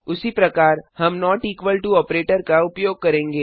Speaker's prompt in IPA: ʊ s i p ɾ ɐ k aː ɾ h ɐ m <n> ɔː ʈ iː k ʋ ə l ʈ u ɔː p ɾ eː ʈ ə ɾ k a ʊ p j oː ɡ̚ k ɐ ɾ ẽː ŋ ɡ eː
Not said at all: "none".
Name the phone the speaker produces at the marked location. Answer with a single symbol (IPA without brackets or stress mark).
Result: n